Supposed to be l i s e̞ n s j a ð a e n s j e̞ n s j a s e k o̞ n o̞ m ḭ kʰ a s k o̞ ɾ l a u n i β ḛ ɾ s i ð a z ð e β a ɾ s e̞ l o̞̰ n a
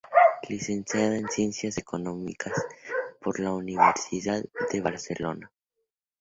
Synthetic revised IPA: l i s e̞ n s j a ð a e n s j e̞ n s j a s e k o̞ n o̞ m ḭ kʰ a s p o̞ ɾ l a u n i β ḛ ɾ s i ð a ð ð e β a ɾ s e̞ l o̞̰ n a